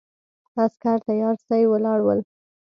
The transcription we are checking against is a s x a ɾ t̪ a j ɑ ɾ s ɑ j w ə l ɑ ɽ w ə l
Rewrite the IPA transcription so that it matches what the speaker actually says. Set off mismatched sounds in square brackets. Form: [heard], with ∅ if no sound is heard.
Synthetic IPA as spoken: a s [k] a ɾ t̪ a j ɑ ɾ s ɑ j w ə l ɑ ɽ w ə l